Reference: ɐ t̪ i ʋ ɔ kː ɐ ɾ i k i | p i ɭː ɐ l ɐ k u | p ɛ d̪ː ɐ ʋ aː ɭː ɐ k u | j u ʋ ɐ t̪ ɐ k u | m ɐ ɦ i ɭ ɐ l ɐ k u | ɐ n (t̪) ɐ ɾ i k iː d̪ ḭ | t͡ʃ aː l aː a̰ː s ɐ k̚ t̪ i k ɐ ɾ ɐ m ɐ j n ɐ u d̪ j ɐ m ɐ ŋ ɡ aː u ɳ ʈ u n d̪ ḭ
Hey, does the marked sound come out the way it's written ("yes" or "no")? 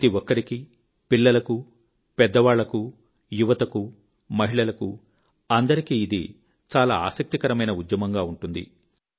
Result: no